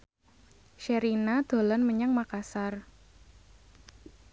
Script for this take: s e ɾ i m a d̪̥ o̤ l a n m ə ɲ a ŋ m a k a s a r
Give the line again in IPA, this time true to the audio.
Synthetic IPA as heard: ʃ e ɾ i n a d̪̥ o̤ l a n m ə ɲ a ŋ m a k a s a r